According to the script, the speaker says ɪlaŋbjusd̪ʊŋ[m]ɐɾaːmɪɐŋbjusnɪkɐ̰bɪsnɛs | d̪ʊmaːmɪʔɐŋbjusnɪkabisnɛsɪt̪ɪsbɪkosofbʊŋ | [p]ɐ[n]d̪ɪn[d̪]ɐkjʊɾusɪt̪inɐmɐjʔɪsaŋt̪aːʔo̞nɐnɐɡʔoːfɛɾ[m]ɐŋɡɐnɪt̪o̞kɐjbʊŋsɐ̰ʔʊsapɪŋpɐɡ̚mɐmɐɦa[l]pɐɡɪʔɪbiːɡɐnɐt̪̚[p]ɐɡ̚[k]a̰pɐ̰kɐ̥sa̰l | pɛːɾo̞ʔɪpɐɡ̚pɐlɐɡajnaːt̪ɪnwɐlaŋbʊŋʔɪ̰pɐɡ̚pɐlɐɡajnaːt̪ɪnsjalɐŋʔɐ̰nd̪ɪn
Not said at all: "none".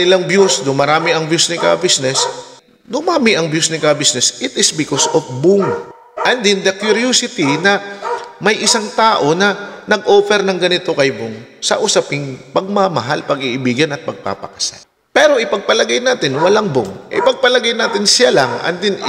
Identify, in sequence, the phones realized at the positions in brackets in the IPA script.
m, ʔ, n, d̪, n, l, p, p

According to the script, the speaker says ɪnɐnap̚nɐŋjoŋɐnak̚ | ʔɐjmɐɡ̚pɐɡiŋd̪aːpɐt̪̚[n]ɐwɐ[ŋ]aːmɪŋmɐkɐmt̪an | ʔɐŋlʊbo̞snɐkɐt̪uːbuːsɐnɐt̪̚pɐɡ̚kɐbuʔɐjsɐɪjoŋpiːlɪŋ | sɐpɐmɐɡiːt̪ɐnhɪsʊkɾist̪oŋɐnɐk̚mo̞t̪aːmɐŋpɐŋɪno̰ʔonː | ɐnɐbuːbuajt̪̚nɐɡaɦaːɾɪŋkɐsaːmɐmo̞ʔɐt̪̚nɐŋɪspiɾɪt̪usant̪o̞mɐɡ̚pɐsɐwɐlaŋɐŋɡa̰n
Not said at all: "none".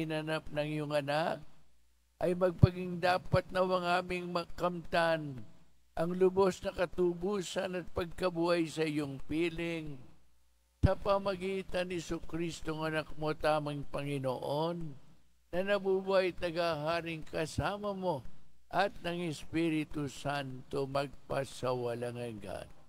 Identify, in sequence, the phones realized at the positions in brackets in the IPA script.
n, ŋ

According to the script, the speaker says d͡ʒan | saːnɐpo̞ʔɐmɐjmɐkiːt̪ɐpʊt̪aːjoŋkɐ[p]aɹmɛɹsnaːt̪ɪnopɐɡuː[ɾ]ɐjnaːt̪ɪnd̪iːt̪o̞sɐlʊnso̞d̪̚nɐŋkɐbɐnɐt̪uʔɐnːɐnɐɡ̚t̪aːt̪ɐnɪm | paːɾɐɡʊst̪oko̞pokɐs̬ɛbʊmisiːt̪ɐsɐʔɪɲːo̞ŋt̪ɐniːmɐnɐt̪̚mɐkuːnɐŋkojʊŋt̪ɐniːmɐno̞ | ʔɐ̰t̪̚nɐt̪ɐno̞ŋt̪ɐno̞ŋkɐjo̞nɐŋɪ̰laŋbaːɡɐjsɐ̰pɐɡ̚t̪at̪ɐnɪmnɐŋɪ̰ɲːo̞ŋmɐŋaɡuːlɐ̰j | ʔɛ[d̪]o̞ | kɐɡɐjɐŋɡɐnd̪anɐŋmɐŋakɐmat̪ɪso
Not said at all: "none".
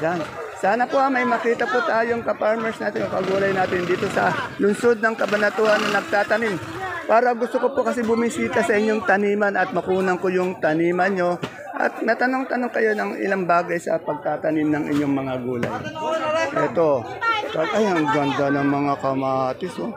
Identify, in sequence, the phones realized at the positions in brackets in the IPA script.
p, l, t̪

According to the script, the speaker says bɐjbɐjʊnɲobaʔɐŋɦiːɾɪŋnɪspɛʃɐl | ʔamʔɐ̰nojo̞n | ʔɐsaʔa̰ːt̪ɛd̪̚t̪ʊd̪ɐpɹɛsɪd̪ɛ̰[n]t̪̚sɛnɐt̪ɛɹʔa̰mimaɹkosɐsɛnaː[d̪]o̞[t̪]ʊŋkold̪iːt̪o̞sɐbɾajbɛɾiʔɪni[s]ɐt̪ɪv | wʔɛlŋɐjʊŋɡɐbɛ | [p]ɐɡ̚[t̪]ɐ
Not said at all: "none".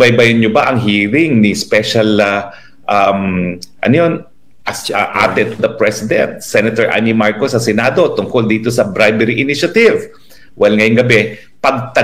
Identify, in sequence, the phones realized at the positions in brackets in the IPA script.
n, d̪, t̪, ʃ, p, t̪

